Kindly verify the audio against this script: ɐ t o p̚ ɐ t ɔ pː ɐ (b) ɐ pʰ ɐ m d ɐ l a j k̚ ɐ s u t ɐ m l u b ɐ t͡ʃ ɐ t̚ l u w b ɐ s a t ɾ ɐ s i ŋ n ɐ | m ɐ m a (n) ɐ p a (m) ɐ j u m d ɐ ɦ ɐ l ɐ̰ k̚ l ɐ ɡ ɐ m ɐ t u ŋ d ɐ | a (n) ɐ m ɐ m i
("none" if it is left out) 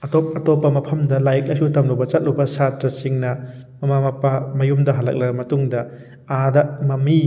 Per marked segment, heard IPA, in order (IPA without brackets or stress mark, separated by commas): m, m, m, d